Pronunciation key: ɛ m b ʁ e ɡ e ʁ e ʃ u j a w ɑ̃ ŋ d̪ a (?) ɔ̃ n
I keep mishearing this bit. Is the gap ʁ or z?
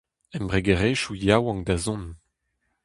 z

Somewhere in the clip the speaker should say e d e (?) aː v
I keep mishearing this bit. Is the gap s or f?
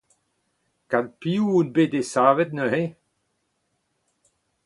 s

